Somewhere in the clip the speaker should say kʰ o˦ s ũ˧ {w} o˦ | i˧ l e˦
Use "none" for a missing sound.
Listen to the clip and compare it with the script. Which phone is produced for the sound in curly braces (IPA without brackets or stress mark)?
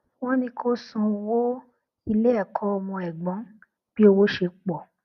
w